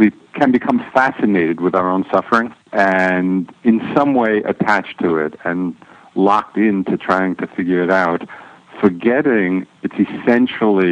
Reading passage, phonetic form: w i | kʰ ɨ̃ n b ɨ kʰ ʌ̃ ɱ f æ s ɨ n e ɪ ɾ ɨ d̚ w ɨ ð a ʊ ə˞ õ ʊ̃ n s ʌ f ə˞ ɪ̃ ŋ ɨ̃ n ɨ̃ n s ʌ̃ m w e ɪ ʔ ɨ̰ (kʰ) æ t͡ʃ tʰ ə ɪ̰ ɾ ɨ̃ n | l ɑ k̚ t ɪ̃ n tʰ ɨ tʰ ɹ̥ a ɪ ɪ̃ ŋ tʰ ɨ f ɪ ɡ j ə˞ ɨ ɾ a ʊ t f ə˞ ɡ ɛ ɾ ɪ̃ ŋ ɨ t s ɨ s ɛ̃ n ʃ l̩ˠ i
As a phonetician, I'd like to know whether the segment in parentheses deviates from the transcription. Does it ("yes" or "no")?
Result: yes